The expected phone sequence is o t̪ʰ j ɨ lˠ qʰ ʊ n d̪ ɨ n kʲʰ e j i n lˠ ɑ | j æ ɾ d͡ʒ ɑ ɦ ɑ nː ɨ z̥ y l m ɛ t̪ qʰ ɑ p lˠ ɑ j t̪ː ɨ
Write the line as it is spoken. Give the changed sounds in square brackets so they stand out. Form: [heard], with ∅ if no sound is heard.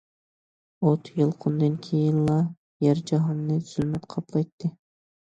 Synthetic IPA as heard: o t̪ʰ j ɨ lˠ qʰ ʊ n d̪ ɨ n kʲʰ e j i n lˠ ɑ | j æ ɾ d͡ʒ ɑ ɦ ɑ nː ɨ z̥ y l m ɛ t̪ qʰ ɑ p lˠ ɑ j t̪ː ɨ